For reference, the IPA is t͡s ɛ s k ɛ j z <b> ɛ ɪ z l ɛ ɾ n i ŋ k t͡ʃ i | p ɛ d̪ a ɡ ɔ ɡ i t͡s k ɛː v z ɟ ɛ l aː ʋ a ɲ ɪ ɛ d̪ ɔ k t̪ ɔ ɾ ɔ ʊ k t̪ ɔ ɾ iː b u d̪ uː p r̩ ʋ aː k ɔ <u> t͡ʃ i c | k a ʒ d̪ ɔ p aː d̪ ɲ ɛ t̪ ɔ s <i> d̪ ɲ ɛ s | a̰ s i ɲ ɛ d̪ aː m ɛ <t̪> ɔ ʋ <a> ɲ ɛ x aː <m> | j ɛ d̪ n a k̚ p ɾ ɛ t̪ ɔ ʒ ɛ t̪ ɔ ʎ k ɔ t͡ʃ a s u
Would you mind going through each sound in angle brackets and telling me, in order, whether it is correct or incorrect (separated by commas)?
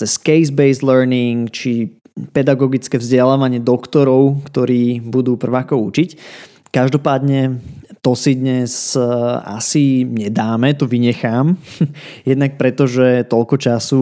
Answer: correct, correct, correct, correct, incorrect, correct